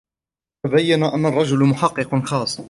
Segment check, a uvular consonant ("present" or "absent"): present